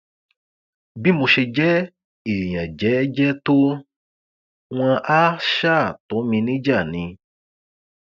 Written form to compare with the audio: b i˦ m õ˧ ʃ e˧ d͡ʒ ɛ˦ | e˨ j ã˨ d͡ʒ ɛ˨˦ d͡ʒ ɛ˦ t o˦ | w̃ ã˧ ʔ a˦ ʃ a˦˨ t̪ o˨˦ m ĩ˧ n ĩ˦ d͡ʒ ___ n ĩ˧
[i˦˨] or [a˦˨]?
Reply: a˦˨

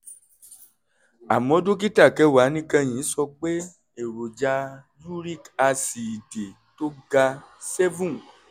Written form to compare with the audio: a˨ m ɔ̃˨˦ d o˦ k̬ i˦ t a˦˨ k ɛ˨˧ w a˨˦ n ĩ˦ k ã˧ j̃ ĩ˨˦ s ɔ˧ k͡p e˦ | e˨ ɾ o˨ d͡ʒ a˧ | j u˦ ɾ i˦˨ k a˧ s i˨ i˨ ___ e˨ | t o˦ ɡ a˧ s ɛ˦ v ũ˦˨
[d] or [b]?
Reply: d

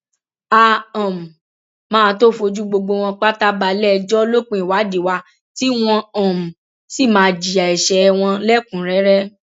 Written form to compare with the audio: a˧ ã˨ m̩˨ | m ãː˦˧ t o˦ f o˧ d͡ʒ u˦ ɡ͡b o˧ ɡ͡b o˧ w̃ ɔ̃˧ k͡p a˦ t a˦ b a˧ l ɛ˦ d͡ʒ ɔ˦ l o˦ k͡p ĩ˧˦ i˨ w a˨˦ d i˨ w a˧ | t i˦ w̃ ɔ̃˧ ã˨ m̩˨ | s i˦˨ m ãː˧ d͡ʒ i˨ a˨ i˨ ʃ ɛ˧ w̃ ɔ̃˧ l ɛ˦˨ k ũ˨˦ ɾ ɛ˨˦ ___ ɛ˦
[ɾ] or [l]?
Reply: ɾ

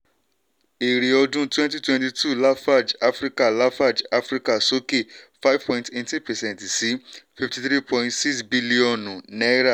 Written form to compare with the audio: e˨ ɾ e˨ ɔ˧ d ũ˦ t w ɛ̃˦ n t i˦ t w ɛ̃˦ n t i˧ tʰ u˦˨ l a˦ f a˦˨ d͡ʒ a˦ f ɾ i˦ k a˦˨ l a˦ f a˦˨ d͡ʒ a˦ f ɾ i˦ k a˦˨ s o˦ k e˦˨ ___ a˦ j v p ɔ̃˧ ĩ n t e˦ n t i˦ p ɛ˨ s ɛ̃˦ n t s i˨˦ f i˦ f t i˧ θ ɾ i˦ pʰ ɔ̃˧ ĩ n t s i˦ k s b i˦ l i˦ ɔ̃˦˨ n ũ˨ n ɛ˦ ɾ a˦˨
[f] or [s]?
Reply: f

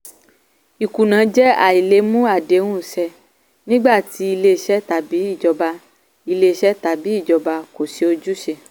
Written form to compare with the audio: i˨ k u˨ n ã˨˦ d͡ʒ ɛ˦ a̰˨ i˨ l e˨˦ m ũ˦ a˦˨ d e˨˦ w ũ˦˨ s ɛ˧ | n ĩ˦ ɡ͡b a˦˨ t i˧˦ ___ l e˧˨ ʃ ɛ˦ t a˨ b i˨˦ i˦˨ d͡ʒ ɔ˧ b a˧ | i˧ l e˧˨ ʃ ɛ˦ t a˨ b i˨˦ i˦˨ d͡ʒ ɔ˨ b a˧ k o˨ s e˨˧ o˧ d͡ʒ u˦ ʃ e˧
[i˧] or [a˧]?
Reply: i˧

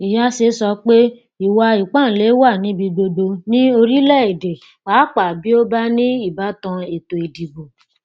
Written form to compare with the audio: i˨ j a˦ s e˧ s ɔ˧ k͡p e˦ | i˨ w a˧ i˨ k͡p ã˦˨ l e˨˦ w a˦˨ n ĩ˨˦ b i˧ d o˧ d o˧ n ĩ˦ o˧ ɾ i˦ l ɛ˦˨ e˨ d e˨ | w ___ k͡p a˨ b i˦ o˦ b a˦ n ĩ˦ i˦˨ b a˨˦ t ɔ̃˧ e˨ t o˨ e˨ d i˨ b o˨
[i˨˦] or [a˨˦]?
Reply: a˨˦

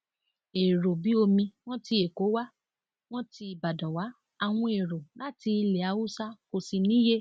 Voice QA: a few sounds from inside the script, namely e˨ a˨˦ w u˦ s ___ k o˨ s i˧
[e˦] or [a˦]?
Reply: a˦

